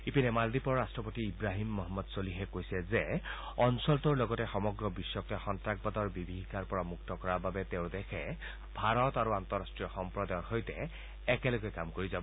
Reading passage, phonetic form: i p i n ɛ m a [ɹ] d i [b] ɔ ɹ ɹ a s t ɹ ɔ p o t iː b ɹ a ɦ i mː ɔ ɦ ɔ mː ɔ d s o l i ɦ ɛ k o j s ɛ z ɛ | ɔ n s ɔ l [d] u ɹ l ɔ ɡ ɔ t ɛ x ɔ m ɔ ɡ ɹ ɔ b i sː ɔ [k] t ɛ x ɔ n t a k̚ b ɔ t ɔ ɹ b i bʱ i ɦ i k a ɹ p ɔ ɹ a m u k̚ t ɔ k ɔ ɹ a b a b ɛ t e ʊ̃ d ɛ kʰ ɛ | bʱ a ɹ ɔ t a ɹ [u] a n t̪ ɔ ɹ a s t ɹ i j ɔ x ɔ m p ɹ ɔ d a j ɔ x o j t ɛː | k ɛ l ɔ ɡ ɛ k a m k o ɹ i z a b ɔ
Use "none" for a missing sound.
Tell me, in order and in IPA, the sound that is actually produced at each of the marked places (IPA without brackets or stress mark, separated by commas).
l, p, t, k, u